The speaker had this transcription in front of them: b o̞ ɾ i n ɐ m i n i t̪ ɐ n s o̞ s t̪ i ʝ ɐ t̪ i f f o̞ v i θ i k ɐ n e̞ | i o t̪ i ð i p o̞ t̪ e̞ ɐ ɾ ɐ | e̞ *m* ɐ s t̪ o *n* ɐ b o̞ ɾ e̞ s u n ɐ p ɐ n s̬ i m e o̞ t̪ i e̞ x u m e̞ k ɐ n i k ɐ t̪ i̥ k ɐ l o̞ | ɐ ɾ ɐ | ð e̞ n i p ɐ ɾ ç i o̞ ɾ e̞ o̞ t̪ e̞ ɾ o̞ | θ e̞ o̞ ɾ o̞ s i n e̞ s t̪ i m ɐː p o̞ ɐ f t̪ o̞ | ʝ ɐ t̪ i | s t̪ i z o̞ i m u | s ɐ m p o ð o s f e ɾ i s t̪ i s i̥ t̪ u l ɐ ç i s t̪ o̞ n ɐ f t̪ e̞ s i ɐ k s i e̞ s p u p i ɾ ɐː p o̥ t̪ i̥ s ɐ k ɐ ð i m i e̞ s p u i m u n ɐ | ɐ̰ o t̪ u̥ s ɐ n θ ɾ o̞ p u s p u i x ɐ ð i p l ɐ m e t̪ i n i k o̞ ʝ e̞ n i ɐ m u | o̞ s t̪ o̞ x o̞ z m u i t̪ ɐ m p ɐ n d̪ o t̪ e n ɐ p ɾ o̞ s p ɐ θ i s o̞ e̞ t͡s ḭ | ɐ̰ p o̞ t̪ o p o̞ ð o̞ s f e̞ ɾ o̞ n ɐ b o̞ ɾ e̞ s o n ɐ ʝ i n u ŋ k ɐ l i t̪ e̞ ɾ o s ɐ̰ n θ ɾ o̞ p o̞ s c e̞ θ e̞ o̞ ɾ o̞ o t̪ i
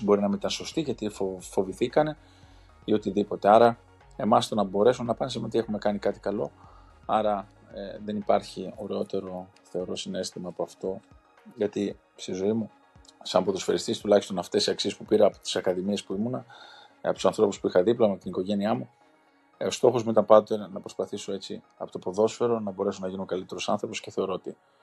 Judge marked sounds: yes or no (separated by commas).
yes, yes